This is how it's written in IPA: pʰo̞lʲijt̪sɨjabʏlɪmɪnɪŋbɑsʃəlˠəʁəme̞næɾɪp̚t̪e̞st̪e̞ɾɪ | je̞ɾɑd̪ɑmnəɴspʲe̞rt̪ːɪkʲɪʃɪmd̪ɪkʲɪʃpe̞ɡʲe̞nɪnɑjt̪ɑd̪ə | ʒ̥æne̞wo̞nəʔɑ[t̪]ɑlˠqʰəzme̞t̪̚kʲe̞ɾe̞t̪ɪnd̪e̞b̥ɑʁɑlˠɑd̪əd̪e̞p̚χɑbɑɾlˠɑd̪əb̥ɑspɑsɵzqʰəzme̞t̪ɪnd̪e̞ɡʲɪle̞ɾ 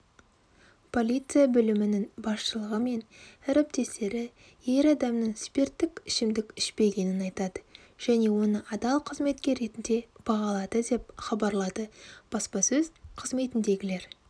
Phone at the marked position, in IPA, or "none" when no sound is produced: d̪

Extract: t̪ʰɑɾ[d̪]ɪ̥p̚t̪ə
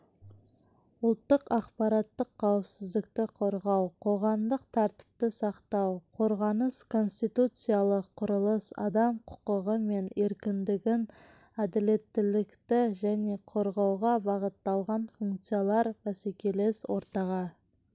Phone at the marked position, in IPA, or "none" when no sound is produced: t̪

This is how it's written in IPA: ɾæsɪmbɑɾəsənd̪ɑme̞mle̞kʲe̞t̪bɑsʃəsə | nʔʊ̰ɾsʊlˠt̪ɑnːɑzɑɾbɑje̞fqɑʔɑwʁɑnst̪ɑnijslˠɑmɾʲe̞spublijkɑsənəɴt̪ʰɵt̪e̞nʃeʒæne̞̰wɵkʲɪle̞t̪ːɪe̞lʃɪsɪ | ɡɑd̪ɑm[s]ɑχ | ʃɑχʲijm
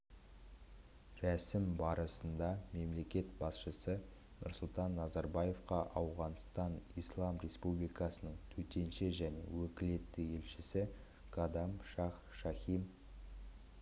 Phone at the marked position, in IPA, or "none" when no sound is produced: ʃ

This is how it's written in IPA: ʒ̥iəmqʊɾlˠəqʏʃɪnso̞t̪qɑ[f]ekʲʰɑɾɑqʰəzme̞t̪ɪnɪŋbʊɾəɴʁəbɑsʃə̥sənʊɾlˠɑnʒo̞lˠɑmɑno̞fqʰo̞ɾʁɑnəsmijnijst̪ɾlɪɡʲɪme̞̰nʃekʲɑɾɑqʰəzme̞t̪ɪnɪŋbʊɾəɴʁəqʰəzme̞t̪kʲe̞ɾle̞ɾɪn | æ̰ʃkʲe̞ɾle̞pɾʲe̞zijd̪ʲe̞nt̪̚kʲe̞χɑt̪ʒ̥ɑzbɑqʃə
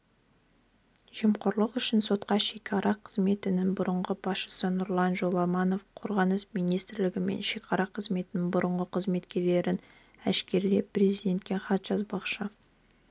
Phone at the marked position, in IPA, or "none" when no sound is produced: ʃ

